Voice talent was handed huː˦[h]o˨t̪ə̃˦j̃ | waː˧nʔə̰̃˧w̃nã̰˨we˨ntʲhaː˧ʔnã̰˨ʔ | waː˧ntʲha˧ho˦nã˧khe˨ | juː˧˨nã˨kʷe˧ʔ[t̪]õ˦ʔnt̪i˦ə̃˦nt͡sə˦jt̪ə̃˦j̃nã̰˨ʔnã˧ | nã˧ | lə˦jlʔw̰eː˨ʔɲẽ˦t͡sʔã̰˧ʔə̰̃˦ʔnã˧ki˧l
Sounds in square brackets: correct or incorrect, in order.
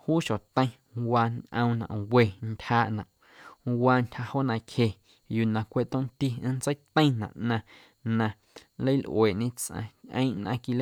incorrect: ʃ, correct

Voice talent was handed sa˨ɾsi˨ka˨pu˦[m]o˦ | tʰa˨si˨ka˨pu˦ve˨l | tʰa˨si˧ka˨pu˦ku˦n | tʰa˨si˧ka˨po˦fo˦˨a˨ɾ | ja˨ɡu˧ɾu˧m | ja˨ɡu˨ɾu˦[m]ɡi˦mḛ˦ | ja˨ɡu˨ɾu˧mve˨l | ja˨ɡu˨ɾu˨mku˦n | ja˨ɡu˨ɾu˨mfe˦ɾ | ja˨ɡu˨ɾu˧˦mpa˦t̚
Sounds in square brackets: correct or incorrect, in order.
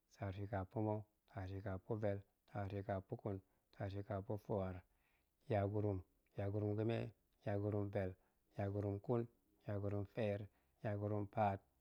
correct, correct

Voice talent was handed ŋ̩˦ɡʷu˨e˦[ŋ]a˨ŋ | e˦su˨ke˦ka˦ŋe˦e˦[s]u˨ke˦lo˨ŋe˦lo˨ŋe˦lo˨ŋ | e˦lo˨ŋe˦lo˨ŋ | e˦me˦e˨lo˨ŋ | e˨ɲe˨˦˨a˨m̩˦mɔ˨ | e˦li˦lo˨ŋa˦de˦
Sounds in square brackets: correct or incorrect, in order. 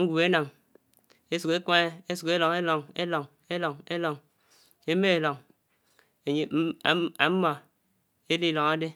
incorrect: n, correct

